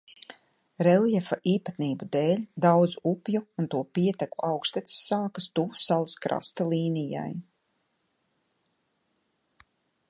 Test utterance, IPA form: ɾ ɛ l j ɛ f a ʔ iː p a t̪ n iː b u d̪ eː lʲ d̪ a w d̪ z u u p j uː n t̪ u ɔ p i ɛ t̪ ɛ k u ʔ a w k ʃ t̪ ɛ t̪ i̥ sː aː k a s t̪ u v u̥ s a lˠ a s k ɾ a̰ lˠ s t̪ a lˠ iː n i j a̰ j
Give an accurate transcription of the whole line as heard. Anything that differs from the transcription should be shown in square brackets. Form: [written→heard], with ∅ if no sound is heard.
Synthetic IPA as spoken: ɾ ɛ l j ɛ f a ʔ iː p a t̪ n iː b u d̪ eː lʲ d̪ a w d̪ z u u p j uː n t̪ u ɔ p i ɛ t̪ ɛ k u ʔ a w k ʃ t̪ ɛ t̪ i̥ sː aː k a s t̪ u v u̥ s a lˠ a s k ɾ a̰ [lˠ→∅] s t̪ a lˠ iː n i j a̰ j